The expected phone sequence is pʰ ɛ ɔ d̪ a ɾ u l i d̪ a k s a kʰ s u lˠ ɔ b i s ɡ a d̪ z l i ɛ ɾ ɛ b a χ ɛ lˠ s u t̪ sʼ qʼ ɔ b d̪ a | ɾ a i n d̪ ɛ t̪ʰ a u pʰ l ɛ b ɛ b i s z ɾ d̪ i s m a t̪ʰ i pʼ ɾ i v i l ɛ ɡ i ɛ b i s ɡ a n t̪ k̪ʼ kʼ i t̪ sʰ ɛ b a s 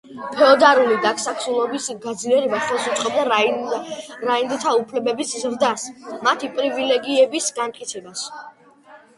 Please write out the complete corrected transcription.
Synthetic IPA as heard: pʰ ɛ ɔ d̪ a ɾ u l i d̪ a k s a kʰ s u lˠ ɔ b i s ɡ a d̪ z l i ɛ ɾ ɛ b a χ ɛ lˠ s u t̪ sʼ qʼ ɔ b d̪ a | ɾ a i n d̪ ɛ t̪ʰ a u pʰ l ɛ b ɛ b i s z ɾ d̪ a s m a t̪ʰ i pʼ ɾ i v i l ɛ ɡ i ɛ b i s ɡ a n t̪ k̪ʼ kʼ i t̪ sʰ ɛ b a s